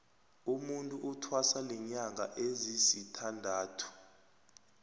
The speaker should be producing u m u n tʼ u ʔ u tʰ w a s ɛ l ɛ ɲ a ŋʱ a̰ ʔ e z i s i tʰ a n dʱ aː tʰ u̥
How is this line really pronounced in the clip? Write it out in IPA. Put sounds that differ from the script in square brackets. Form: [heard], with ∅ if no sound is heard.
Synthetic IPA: u m u n tʼ u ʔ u tʰ w a s [a] l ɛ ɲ a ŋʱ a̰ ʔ e z i s i tʰ a n dʱ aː tʰ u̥